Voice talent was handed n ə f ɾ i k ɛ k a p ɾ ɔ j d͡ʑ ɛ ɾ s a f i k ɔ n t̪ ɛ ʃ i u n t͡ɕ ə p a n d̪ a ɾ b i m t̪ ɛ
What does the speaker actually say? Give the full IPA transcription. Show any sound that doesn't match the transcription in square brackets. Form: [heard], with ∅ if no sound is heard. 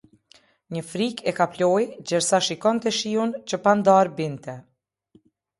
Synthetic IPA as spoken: [ɲ] ə f ɾ i k ɛ k a p [l] ɔ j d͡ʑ ɛ ɾ s a [ʃ] i k ɔ n t̪ ɛ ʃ i u n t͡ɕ ə p a n d̪ a ɾ b i [n] t̪ ɛ